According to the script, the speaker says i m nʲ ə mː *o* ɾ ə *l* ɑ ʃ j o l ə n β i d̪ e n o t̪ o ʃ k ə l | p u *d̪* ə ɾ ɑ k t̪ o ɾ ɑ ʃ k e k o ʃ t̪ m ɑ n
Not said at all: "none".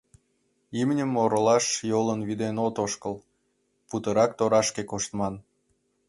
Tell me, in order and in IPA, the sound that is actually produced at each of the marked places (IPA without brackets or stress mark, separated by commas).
o, l, t̪